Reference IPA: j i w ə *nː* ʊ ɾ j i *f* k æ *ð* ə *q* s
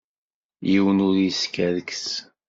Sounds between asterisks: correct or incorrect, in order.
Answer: incorrect: n, incorrect: s, correct, incorrect: k

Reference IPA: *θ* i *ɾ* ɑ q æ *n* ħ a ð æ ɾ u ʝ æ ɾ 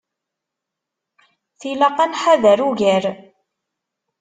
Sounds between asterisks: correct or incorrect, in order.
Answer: correct, incorrect: l, correct

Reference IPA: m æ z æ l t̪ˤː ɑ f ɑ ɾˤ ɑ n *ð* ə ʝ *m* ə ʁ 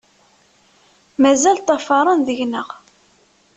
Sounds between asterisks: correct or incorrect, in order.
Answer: correct, incorrect: n

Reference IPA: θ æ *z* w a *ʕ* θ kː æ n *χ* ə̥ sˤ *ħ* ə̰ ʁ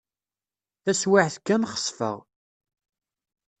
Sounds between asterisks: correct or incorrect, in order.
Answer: incorrect: s, correct, correct, incorrect: f

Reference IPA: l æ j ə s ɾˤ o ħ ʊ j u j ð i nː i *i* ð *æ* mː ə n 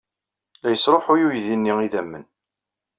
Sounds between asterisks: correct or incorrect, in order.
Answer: correct, correct

